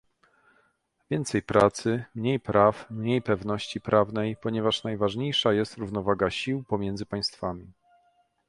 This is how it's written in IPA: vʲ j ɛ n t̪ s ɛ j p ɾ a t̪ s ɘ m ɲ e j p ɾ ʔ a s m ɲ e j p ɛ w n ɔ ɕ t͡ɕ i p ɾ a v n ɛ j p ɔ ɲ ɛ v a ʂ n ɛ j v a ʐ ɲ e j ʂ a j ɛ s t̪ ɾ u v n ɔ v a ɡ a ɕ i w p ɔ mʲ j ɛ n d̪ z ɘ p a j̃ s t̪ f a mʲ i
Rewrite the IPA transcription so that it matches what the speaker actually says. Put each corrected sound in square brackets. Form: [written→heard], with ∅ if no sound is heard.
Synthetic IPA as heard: vʲ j ɛ n t̪ s ɛ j p ɾ a t̪ s ɘ m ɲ e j p ɾ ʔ a [s→f] m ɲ e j p ɛ [w→v] n ɔ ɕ t͡ɕ i p ɾ a v n ɛ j p ɔ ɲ ɛ v a ʂ n [ɛ→a] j v a ʐ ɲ e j ʂ a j ɛ s t̪ ɾ u v n ɔ v a ɡ a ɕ i w p ɔ mʲ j ɛ n d̪ z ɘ p a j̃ s t̪ f a mʲ i